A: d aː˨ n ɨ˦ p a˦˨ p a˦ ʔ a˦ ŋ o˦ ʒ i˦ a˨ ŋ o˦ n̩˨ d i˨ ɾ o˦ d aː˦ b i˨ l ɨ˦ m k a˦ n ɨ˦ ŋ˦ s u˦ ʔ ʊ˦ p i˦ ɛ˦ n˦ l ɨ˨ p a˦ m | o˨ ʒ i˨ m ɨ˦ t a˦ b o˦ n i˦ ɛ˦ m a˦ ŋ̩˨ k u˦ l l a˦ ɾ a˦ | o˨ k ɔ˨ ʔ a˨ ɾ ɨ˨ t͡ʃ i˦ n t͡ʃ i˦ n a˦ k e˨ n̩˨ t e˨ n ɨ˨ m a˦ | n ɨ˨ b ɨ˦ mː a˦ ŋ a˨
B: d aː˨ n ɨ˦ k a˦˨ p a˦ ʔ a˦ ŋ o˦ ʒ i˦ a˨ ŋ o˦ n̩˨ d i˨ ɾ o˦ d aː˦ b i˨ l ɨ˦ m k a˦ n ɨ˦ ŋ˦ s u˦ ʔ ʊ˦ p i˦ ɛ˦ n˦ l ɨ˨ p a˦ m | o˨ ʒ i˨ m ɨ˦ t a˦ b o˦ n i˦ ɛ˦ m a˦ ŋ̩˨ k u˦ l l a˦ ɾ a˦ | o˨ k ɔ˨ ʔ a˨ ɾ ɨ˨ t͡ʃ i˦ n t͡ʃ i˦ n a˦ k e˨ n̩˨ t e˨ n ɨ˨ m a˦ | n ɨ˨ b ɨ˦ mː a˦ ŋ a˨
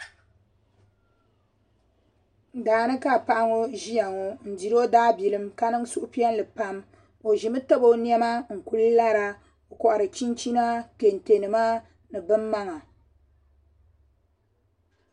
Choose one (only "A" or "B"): B